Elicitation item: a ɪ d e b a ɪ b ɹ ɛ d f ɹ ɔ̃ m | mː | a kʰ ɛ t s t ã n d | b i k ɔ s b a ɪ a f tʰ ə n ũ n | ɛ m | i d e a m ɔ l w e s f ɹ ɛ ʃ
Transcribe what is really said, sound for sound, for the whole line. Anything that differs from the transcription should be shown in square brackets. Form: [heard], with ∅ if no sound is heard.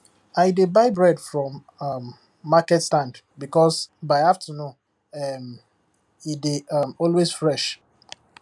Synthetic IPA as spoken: a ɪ d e b a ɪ b ɹ ɛ d f ɹ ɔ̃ m | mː | a [k] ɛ t s t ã n d | b i k ɔ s b a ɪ a f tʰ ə n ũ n | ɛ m | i d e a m ɔ l w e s f ɹ ɛ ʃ

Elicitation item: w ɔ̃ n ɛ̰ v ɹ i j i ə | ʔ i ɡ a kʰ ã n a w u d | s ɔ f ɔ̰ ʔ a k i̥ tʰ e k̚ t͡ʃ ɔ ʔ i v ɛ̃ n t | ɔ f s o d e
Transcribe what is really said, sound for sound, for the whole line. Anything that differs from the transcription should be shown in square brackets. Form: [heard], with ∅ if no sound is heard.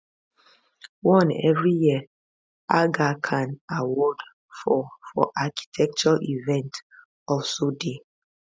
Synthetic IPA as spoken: w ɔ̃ n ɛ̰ v ɹ i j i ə | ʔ [a] ɡ a kʰ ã n a w [ɔ] d | [f] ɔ f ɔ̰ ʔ a k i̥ tʰ [ɛ] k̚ t͡ʃ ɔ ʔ i v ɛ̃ n t | ɔ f s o d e

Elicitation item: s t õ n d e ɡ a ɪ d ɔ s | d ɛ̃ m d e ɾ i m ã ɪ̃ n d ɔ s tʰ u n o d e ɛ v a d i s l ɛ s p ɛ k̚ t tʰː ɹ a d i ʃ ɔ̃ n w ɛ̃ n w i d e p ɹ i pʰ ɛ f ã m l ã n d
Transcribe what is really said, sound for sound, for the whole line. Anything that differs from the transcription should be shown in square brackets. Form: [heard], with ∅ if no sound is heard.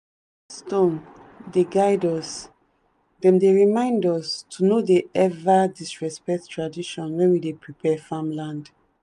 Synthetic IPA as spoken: s t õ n d e ɡ a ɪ d ɔ s | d ɛ̃ m d e [ɹ] i m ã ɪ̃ n d ɔ s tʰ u n o d e ɛ v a d i s [ɹ] ɛ s p ɛ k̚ t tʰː ɹ a d i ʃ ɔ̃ n w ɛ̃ n w i d e p ɹ i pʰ ɛ f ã m l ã n d

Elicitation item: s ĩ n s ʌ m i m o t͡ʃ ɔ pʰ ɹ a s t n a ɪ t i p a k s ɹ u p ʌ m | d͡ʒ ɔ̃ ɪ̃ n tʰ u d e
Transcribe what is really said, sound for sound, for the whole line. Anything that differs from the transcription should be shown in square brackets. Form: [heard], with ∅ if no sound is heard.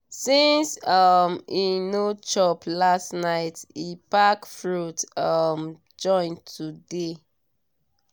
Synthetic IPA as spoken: s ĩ n s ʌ m i [n] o t͡ʃ ɔ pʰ [l] a s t n a ɪ t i p a k [f] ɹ u [t] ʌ m | d͡ʒ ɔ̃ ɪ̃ n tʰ u d e

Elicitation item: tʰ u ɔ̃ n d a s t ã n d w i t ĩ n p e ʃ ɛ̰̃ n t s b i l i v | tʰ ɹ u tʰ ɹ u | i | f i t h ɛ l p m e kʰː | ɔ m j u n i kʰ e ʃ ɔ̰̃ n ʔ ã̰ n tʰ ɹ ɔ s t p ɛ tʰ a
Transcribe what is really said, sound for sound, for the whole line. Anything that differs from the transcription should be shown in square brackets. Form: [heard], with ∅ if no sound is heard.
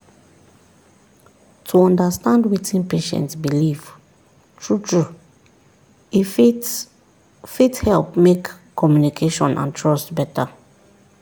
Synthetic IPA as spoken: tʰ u ɔ̃ n d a s t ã n d w i t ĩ n p e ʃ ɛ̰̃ n t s b i l i v | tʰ ɹ u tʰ ɹ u | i | f i t h ɛ l p m e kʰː | ɔ m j u n i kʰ e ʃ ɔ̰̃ n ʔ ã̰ n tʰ ɹ ɔ s t [b] ɛ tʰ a

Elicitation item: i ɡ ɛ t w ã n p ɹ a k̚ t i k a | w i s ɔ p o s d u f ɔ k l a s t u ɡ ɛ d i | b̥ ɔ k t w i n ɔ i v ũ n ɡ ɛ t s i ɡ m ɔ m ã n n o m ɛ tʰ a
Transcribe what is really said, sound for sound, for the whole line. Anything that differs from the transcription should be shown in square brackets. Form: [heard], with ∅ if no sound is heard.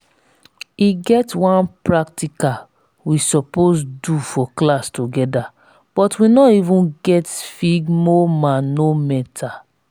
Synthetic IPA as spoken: i ɡ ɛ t w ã n p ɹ a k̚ t i k a | w i s ɔ p o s d u f ɔ k l a s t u ɡ ɛ d [a] | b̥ ɔ [∅] t w i n ɔ i v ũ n ɡ ɛ t [f] i ɡ m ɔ m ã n n o m ɛ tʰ a

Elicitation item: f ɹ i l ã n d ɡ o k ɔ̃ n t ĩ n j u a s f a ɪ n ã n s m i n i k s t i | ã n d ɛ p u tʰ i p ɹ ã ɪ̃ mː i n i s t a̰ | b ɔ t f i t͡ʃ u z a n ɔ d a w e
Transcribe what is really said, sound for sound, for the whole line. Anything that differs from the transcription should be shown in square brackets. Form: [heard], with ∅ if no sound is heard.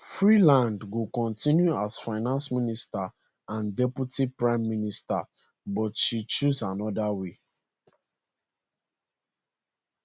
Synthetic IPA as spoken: f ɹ i l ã n d ɡ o k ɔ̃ n t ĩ n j u a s f a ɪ n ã n s m i n i [∅] s t [a] | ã n d ɛ p u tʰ i p ɹ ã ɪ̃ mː i n i s t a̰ | b ɔ t [ʃ] i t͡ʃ u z a n ɔ d a w e

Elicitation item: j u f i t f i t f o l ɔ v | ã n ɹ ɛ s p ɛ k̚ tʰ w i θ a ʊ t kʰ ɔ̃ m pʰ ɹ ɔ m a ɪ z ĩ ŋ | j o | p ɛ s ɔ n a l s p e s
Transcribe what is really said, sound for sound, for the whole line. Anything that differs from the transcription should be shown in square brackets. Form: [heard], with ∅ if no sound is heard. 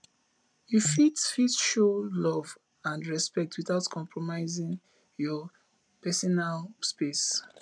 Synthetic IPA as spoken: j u f i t f i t [ʃ] o l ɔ v | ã n ɹ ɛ s p ɛ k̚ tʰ w i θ a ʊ t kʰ ɔ̃ m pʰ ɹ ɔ m a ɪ z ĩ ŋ | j [ɔ] | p ɛ s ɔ n a l s p e s

